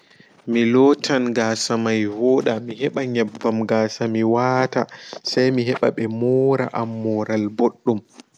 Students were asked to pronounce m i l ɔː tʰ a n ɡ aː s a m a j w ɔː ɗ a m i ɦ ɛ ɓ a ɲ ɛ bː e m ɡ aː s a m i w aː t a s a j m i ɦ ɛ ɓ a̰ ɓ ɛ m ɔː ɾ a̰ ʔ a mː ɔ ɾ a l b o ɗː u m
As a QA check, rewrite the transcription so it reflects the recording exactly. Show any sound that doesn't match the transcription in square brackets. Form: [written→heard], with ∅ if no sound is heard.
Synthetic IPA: m i l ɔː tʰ a n ɡ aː s a m a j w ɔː ɗ a m i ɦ ɛ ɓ a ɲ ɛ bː [e→a] m ɡ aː s a m i w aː t a s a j m i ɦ ɛ ɓ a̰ ɓ ɛ m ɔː ɾ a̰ ʔ a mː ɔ ɾ a l b o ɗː u m